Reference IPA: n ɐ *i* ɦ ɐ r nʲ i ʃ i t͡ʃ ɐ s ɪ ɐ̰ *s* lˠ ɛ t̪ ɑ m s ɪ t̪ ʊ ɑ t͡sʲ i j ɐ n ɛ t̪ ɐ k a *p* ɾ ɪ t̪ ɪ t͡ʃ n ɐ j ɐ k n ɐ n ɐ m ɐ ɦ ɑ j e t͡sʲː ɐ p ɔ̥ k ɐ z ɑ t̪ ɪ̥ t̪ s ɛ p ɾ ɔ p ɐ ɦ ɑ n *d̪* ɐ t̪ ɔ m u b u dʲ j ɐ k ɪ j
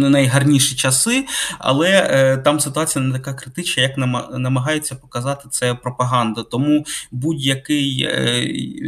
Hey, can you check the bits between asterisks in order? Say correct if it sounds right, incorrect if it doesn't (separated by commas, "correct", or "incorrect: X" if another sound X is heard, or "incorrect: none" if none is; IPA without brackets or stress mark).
incorrect: j, incorrect: none, incorrect: k, correct